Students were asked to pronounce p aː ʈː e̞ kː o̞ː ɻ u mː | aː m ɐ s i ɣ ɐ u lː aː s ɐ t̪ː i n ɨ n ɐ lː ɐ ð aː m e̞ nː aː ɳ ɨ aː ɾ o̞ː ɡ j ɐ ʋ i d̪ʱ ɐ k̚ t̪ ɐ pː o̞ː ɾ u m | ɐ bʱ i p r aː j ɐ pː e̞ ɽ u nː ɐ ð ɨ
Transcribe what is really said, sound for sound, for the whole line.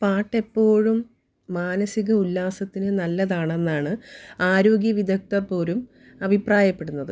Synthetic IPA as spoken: p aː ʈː e̞ pː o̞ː ɻ u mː | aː n ɐ s i ɣ ɐ u lː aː s ɐ t̪ː i n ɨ n ɐ lː ɐ ð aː ɳ e̞ nː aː ɳ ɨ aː ɾ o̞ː ɡ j ɐ ʋ i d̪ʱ ɐ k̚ t̪ ɐ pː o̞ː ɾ u m | ɐ bʱ i p r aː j ɐ pː e̞ ɽ u nː ɐ ð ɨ

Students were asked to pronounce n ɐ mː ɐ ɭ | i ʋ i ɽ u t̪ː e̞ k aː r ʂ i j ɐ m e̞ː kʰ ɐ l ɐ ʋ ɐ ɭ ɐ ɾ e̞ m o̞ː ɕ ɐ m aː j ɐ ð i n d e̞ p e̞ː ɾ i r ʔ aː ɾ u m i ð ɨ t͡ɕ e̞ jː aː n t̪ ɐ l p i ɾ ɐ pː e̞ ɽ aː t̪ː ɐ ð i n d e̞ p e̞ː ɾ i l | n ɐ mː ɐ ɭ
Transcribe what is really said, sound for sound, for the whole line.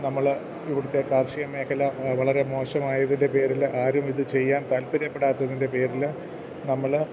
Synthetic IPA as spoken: n ɐ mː ɐ ɭ | i ʋ i ɽ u t̪ː e̞ k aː r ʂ i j ɐ m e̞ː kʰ ɐ l ɐ ʋ ɐ ɭ ɐ ɾ e̞ m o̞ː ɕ ɐ m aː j ɐ ð i n d e̞ p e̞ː ɾ i l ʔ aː ɾ u m i ð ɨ t͡ɕ e̞ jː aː n t̪ ɐ l p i ɾ ɐ pː e̞ ɽ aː t̪ː ɐ ð i n d e̞ p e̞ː ɾ i l | n ɐ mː ɐ ɭ

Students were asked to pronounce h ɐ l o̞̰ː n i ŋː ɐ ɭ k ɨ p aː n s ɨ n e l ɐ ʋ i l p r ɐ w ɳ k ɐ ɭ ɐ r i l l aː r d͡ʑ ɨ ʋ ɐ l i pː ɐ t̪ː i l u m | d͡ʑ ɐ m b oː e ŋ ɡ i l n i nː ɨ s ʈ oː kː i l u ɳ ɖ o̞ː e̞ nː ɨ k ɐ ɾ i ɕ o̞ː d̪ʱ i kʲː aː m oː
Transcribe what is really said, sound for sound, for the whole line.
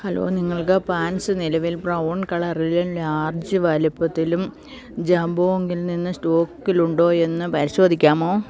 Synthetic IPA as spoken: h ɐ l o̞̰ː n i ŋː ɐ ɭ k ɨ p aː n s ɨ n i l ɐ ʋ i l p r ɐ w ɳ k ɐ ɭ ɐ r i l l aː r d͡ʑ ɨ ʋ ɐ l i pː ɐ t̪ː i l u m | d͡ʑ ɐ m b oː e ŋ ɡ i l n i nː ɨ s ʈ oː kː i l u ɳ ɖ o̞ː e̞ nː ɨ p ɐ ɾ i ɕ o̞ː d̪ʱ i kʲː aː m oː

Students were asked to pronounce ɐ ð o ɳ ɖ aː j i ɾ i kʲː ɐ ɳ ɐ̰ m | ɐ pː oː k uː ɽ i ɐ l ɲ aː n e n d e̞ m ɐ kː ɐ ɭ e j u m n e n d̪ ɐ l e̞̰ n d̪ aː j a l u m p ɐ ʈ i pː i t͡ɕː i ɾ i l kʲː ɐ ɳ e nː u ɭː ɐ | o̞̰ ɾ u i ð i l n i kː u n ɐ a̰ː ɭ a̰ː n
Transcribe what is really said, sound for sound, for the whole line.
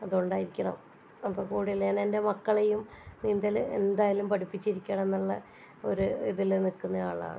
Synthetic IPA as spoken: ɐ ð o ɳ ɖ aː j i ɾ i kʲː ɐ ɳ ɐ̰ m | ɐ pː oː k uː ɽ i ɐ l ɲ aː n e n d e̞ m ɐ kː ɐ ɭ e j u m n i n d̪ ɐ l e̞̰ n d̪ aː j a l u m p ɐ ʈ i pː i t͡ɕː i ɾ i kʲː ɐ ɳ e nː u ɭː ɐ | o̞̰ ɾ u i ð i l n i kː u nː ɐ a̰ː ɭ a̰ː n

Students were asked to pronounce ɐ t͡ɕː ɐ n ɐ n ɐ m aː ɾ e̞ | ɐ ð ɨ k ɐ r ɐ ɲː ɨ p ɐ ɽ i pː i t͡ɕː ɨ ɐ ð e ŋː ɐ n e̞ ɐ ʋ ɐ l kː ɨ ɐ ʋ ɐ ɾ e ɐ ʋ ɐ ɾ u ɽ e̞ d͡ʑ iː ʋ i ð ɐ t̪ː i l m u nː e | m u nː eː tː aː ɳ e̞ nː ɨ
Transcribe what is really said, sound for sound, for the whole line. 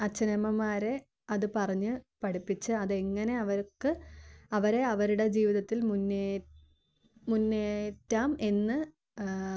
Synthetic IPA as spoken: ɐ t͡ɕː ɐ n ɐ m ɐ m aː ɾ e̞ | ɐ ð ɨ p ɐ r ɐ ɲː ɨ p ɐ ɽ i pː i t͡ɕː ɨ ɐ ð e ŋː ɐ n e̞ ɐ ʋ ɐ ɾ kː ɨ ɐ ʋ ɐ ɾ e ɐ ʋ ɐ ɾ u ɽ e̞ d͡ʑ iː ʋ i ð ɐ t̪ː i l m u nː e | m u nː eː tː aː m e̞ nː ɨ

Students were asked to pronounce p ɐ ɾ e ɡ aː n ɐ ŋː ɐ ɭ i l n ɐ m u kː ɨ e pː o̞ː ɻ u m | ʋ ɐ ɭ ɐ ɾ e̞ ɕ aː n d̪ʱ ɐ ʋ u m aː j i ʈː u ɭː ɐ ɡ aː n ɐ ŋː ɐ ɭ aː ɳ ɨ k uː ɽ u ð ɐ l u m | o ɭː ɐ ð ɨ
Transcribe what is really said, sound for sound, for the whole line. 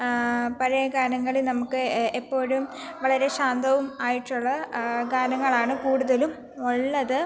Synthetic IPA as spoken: p ɐ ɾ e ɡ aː n ɐ ŋː ɐ ɭ i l n ɐ m u kː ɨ e pː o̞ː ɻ u m | ʋ ɐ ɭ ɐ ɾ e̞ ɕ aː n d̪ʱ ɐ ʋ u m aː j i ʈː u ɭː ɐ ɡ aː n ɐ ŋː ɐ ɭ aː ɳ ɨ k uː ɽ u ð ɐ l u m | o ɭː ɐ ð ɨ

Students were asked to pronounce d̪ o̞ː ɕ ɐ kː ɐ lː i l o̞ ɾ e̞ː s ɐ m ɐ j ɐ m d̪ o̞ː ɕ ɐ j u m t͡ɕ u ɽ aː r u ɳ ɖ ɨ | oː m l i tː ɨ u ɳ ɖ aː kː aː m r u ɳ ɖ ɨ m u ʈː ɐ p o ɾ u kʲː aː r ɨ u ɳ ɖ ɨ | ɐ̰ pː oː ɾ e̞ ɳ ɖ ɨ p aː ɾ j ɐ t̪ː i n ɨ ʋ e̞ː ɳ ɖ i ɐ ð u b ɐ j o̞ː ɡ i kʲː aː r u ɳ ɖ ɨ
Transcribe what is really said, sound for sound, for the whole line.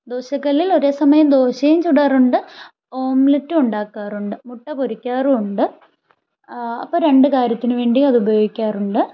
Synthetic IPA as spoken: d̪ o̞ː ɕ ɐ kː ɐ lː i l o̞ ɾ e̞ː s ɐ m ɐ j ɐ m d̪ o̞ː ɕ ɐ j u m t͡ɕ u ɽ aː r u ɳ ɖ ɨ | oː m l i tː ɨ u ɳ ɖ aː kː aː r u ɳ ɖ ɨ m u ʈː ɐ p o ɾ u kʲː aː r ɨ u ɳ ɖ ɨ | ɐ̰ pː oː ɾ e̞ ɳ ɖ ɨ k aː ɾ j ɐ t̪ː i n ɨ ʋ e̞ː ɳ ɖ i ɐ ð u b ɐ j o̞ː ɡ i kʲː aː r u ɳ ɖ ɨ

